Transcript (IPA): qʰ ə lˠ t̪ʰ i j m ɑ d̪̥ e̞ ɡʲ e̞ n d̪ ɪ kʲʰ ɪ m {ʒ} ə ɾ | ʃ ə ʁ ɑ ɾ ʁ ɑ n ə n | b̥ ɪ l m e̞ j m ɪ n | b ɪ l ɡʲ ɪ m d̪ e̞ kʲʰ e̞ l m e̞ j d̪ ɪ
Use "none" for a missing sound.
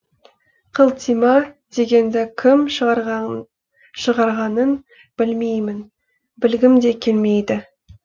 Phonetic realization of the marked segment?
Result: ʃ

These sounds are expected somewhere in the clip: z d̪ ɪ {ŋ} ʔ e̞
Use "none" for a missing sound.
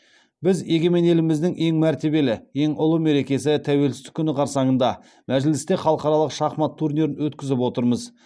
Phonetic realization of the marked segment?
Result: ŋ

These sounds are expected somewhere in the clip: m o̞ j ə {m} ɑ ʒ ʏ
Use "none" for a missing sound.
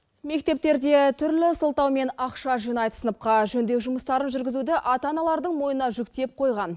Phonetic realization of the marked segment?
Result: n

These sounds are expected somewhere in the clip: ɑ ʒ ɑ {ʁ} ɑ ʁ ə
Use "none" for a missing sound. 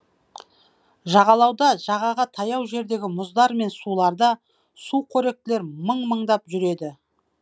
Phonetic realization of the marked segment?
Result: ʁ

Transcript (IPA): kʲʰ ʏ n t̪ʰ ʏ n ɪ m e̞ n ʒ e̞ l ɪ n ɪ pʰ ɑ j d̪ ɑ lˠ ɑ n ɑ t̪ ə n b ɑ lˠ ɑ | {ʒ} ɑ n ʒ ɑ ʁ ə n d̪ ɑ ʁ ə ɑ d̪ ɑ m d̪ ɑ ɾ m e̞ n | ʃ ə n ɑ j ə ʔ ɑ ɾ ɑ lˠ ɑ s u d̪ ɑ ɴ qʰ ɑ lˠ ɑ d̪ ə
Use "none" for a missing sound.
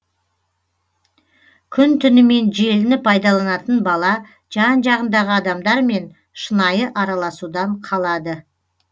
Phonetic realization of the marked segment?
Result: ʒ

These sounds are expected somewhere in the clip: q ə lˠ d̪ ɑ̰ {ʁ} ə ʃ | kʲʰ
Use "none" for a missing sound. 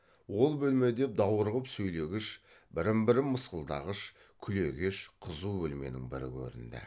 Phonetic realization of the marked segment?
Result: ʁ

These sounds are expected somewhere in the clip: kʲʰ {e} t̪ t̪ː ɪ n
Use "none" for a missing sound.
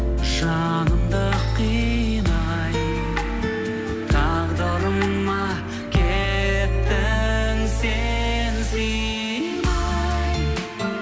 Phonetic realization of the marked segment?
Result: e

